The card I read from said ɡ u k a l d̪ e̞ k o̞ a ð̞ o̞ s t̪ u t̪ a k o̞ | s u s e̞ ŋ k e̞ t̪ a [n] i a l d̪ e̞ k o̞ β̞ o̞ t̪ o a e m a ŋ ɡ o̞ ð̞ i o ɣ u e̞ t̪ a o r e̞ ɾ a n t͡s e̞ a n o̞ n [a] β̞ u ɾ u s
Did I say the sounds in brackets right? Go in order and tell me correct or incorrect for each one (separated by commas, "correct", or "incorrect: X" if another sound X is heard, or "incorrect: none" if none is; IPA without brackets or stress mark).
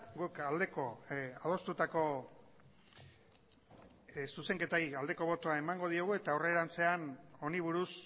incorrect: none, incorrect: i